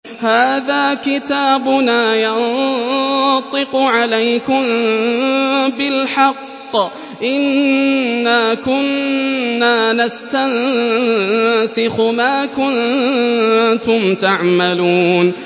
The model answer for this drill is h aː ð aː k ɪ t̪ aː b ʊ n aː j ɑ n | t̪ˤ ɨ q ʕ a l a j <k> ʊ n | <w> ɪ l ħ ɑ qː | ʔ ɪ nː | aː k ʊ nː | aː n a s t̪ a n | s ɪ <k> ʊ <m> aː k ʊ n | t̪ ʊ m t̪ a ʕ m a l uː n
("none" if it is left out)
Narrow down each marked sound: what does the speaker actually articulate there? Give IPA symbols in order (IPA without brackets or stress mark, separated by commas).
k, b, x, m